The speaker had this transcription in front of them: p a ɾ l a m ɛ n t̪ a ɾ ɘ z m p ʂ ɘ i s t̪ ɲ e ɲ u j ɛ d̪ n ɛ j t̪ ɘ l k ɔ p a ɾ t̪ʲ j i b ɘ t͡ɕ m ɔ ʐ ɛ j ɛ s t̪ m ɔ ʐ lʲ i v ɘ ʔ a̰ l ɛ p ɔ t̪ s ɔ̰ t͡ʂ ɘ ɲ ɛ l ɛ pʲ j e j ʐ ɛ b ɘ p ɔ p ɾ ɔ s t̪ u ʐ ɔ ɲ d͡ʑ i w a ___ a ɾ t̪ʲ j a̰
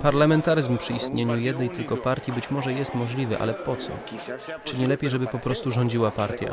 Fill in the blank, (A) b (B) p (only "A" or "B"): B